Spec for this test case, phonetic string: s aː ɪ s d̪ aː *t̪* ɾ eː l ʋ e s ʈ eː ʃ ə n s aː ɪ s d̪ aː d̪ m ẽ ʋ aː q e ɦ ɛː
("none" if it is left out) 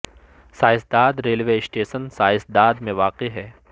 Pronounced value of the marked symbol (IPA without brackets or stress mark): d̪